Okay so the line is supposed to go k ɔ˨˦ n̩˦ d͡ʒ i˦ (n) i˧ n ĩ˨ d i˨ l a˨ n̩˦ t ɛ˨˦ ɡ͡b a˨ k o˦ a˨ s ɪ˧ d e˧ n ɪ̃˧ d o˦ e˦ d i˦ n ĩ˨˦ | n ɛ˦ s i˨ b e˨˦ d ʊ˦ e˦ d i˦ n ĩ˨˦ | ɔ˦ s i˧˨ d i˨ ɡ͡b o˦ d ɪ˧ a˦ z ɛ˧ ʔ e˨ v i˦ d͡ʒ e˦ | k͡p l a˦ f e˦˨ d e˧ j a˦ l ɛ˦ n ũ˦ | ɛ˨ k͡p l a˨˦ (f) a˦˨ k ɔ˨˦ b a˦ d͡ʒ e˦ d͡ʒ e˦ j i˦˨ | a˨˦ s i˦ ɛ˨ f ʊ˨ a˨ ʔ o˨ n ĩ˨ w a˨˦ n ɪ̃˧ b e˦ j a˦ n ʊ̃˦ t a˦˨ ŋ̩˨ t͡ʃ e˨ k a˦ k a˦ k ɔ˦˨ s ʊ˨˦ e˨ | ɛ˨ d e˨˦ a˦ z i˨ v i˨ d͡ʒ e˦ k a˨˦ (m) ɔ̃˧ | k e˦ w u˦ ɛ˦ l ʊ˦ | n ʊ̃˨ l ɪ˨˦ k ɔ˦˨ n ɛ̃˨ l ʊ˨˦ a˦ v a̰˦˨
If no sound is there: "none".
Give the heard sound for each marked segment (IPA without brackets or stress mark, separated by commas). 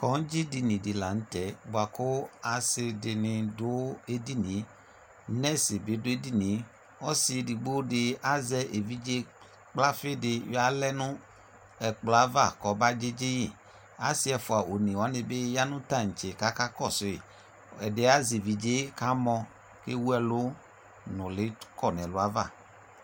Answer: d, v, m